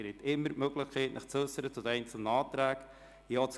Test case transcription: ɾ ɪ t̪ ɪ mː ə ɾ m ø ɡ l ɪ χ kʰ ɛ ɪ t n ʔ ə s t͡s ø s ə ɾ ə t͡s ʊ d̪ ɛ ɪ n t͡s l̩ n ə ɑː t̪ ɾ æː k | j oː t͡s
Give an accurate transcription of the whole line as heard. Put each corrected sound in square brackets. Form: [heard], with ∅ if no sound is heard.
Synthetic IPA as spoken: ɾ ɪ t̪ ɪ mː ə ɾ m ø ɡ l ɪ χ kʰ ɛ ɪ t n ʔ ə [χ] t͡s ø s ə ɾ ə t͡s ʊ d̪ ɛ ɪ n t͡s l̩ n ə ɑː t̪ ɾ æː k | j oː t͡s